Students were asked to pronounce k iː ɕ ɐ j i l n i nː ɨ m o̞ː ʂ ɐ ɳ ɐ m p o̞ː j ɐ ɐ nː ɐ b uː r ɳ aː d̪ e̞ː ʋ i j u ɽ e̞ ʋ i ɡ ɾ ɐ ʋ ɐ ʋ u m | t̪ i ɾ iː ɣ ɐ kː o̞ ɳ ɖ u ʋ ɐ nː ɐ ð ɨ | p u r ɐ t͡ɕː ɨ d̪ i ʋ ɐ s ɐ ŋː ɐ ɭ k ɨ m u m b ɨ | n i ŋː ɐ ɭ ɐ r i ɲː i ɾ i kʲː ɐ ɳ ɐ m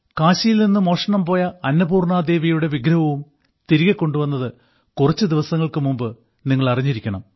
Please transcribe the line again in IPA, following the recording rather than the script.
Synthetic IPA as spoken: k aː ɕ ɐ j i l n i nː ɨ m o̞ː ʂ ɐ ɳ ɐ m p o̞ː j ɐ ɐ nː ɐ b uː r ɳ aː d̪ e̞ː ʋ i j u ɽ e̞ ʋ i ɡ ɾ ɐ ʋ ɐ ʋ u m | t̪ i ɾ i ɣ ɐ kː o̞ ɳ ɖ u ʋ ɐ nː ɐ ð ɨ | k u r ɐ t͡ɕː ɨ d̪ i ʋ ɐ s ɐ ŋː ɐ ɭ k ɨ m u m b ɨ | n i ŋː ɐ ɭ ɐ r i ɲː i ɾ i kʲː ɐ ɳ ɐ m

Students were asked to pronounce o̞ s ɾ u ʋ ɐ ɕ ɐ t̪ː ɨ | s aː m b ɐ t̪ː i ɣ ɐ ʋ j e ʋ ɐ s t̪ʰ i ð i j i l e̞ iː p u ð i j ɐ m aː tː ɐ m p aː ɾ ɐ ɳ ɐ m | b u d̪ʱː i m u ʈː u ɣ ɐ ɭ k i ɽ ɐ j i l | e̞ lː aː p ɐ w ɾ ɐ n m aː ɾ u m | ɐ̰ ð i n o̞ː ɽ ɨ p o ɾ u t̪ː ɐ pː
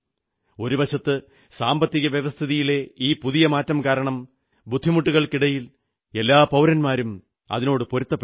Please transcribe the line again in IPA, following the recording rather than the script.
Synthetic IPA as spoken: o̞ ɾ u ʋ ɐ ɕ ɐ t̪ː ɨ | s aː m b ɐ t̪ː i ɣ ɐ ʋ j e ʋ ɐ s t̪ʰ i ð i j i l e̞ iː p u ð i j ɐ m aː tː ɐ m k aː ɾ ɐ ɳ ɐ m | b u d̪ʱː i m u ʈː u ɣ ɐ ɭ k i ɽ ɐ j i l | e̞ lː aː p ɐ w ɾ ɐ n m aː ɾ u m | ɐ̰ ð i n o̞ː ɽ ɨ p o ɾ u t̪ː ɐ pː

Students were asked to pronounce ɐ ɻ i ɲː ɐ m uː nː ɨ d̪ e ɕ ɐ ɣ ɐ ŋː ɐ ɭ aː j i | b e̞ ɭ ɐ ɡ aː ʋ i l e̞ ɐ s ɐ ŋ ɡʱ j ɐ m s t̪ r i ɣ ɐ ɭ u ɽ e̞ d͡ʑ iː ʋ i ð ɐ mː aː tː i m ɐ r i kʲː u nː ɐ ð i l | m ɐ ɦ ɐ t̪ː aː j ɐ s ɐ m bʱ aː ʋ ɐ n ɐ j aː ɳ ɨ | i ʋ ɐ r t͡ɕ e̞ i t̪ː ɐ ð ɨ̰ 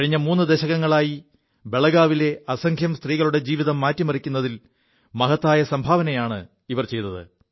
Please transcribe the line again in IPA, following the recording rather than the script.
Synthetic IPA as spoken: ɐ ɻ i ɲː ɐ m uː nː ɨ d̪ e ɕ ɐ ɣ ɐ ŋː ɐ ɭ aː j i | b e̞ ɭ ɐ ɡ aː ʋ i l e̞ ɐ s ɐ ŋ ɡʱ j ɐ m s t̪ r iː ɣ ɐ ɭ u ɽ e̞ d͡ʑ iː ʋ i ð ɐ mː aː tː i m ɐ r i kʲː u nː ɐ ð i l | m ɐ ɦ ɐ t̪ː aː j ɐ s ɐ m bʱ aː ʋ ɐ n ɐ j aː ɳ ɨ | i ʋ ɐ r t͡ɕ e̞ j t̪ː ɐ ð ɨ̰

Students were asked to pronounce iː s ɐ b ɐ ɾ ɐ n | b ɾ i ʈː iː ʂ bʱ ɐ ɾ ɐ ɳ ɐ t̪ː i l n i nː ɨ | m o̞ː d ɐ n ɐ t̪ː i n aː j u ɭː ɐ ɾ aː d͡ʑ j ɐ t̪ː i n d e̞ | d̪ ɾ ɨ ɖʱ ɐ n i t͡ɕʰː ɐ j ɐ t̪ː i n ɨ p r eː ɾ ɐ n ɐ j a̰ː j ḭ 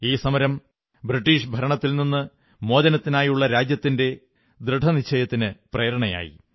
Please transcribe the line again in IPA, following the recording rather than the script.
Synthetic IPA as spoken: iː s ɐ m ɐ ɾ ɐ m | b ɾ i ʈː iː ʂ bʱ ɐ ɾ ɐ ɳ ɐ t̪ː i l n i nː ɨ | m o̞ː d ɐ n ɐ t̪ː i n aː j u ɭː ɐ ɾ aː d͡ʑ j ɐ t̪ː i n d e̞ | d̪ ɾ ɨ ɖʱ ɐ n i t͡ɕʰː ɐ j ɐ t̪ː i n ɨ p r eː ɾ ɐ ɳ ɐ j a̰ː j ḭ

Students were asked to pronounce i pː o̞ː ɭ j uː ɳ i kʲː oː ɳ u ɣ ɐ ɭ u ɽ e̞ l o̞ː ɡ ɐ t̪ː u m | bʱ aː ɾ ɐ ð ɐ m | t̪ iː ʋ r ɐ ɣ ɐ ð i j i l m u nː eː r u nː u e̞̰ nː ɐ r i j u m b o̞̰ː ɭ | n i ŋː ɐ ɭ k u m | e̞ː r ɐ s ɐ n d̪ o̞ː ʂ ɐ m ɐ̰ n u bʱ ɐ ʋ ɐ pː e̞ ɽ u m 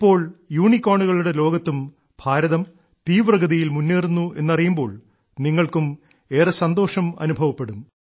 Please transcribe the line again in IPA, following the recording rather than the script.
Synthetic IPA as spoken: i pː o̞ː ɭ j uː ɳ i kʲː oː ɳ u ɣ ɐ ɭ u ɽ e̞ l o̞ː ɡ ɐ t̪ː u m | bʱ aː ɾ ɐ ð ɐ m | t̪ iː ʋ r ɐ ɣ ɐ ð i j i l m u nː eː r u nː u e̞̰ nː ɐ r i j u m b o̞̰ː ɭ | n i ŋː ɐ ɭ k u m | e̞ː r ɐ s ɐ n d̪ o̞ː ʂ ɐ m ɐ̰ n u bʱ ɐ ʋ ɐ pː e̞ ɽ u m

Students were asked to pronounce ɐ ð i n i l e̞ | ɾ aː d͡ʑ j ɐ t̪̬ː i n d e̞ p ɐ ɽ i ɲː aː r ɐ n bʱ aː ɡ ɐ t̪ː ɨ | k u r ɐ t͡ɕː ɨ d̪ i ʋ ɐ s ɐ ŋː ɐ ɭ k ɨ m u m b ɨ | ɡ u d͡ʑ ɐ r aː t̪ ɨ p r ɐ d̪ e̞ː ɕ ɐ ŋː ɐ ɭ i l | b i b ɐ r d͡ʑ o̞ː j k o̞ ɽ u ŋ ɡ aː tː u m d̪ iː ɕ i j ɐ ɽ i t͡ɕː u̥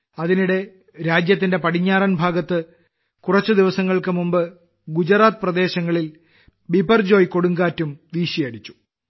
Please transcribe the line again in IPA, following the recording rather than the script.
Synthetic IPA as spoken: ɐ ð i n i ɽ e̞ | ɾ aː d͡ʑ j ɐ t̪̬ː i n d e̞ p ɐ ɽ i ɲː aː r ɐ n bʱ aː ɡ ɐ t̪ː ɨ | k u r ɐ t͡ɕː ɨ d̪ i ʋ ɐ s ɐ ŋː ɐ ɭ k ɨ m u m b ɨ | ɡ u d͡ʑ ɐ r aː t̪ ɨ p r ɐ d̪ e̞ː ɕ ɐ ŋː ɐ ɭ i l | b i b ɐ r d͡ʑ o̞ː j k o̞ ɽ u ŋ ɡ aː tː u m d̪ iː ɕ i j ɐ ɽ i t͡ɕː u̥

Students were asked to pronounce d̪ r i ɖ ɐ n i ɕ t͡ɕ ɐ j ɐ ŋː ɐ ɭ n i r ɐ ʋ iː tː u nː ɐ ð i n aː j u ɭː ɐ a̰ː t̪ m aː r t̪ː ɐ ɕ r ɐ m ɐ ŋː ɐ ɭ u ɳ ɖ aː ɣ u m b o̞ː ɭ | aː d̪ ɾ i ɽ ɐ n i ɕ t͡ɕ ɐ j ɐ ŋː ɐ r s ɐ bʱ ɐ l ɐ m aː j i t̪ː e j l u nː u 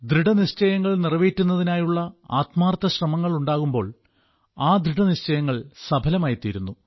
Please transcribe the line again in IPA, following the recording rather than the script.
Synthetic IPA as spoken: d̪ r i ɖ ɐ n i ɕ t͡ɕ ɐ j ɐ ŋː ɐ ɭ n i r ɐ ʋ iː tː u nː ɐ ð i n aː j u ɭː ɐ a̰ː t̪ m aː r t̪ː ɐ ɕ r ɐ m ɐ ŋː ɐ ɭ u ɳ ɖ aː ɣ u m b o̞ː ɭ | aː d̪ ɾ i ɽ ɐ n i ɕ t͡ɕ ɐ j ɐ ŋː ɐ ɭ s ɐ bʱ ɐ l ɐ m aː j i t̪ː i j ɾ u nː u

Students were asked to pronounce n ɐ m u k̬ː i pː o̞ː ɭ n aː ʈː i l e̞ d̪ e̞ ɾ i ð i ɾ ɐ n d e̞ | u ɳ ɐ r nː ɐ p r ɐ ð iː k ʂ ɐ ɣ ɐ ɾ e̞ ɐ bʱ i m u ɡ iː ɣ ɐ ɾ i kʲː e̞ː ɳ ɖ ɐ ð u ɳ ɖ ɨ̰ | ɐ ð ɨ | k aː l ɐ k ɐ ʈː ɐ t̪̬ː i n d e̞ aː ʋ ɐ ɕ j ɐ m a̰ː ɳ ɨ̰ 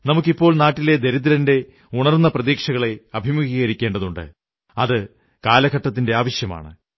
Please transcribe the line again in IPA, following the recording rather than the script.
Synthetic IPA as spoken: n ɐ m u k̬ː i pː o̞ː ɭ n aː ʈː i l e̞ d̪ e̞ ɾ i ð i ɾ ɐ n d e̞ | u ɳ ɐ r nː ɐ p r ɐ ð iː k ʂ ɐ ɣ ɐ ɭ e̞ ɐ bʱ i m u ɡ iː ɣ ɐ ɾ i kʲː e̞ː ɳ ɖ ɐ ð u ɳ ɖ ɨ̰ | ɐ ð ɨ | k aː l ɐ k ɐ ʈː ɐ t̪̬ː i n d e̞ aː ʋ ɐ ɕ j ɐ m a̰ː ɳ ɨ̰

